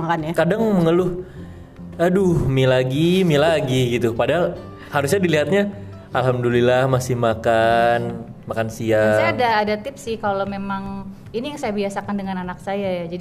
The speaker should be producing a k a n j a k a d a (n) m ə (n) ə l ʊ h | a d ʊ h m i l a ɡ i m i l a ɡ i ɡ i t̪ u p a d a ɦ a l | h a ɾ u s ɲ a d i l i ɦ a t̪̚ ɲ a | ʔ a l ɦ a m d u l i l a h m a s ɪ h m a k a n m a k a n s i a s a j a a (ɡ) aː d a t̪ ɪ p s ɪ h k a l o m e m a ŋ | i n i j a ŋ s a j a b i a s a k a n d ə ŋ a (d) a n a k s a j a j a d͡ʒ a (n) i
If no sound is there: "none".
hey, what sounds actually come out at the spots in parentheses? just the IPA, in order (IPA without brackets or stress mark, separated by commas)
ŋ, ŋ, d, n, d